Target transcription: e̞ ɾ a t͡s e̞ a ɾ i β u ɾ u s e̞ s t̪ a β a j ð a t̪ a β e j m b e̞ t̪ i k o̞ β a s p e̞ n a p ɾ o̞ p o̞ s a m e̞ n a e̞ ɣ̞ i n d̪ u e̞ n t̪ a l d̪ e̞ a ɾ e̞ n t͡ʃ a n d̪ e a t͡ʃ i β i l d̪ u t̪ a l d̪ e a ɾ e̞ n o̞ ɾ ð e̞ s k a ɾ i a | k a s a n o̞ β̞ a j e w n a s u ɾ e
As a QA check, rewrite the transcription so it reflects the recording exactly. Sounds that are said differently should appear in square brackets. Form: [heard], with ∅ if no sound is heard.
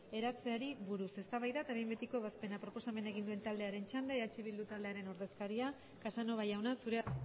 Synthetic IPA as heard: e̞ ɾ a t͡s e̞ a ɾ i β u ɾ u s e̞ s t̪ a β a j ð a t̪ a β e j m b e̞ t̪ i k o̞ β a s p e̞ n a p ɾ o̞ p o̞ s a m e̞ n a e̞ ɣ̞ i n d̪ u e̞ n t̪ a l d̪ e̞ a ɾ e̞ n t͡ʃ a n d̪ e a t͡ʃ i β i l d̪ u t̪ a l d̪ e a ɾ e̞ n o̞ ɾ ð e̞ s k a ɾ i a | k a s a n o̞ β̞ a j [a] w n a s u ɾ e